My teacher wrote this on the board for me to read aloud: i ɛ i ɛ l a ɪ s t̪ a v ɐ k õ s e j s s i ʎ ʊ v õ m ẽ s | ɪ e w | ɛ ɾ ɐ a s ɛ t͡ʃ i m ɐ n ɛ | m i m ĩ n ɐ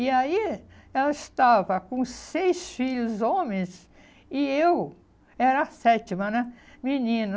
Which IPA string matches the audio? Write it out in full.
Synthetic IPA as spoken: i a i ɛ l ɐ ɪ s t̪ a v ɐ k õ s e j s f i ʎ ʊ z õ m ẽ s | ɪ e w | ɛ ɾ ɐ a s ɛ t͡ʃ i m ɐ n ɛ | m i n ĩ n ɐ